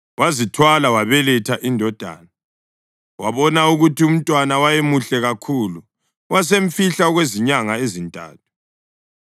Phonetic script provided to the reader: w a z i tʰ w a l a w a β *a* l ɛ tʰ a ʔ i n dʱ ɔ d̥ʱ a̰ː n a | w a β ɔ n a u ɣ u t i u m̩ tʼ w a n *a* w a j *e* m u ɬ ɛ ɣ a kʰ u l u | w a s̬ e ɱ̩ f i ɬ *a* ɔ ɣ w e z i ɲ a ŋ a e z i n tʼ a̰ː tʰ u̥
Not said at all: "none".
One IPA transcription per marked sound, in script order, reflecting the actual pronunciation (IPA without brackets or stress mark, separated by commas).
ɛ, a, e, a